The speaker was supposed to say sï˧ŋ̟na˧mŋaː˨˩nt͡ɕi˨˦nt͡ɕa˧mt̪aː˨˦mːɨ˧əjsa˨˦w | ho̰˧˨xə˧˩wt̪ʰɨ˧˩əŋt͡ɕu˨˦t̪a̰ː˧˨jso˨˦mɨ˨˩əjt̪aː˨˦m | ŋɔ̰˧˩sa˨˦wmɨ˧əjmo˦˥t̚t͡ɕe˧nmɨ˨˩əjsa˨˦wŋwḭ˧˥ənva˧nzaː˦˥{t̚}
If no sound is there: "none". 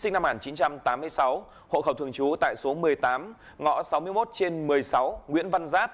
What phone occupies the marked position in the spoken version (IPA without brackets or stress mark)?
t̚